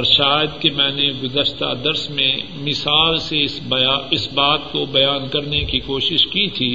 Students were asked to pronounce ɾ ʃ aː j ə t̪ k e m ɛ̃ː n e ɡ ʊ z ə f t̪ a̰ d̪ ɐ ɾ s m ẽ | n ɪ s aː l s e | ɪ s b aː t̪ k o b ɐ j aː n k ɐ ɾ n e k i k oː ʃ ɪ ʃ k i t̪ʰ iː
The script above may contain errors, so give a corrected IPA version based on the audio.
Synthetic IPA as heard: ɾ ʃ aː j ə d̪ k e m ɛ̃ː n e ɡ ʊ z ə ʃ t̪ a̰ d̪ ɐ ɾ s m ẽ | m ɪ s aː l s e | ɪ s b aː t̪ k o b ɐ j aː n k ɐ ɾ n e k i k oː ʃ ɪ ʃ k i t̪ʰ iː